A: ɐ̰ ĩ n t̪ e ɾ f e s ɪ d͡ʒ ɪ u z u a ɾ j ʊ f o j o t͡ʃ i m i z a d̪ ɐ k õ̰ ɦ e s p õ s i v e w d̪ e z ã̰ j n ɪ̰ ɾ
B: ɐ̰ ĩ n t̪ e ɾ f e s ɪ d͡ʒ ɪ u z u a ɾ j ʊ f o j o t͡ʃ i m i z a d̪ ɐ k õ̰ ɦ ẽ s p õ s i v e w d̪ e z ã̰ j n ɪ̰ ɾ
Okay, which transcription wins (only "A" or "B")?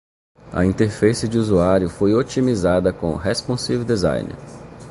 A